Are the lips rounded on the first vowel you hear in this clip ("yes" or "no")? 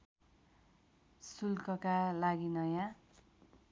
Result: yes